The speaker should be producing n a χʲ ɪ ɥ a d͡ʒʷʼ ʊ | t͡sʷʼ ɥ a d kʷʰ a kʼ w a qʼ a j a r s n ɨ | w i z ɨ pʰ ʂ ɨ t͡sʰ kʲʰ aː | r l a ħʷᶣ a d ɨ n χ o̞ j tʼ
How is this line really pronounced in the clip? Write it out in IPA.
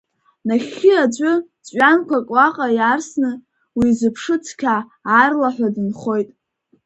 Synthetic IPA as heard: n a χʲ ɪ a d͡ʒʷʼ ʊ | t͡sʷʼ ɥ a n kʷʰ a kʼ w a qʼ a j a r s n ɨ | w i z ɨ pʰ ʂ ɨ t͡sʰ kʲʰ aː | r l a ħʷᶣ a d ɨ n χ o̞ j tʼ